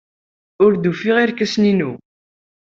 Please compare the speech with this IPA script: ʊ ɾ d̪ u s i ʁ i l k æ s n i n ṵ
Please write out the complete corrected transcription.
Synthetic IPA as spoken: ʊ ɾ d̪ u f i ʁ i ɾ k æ s n i n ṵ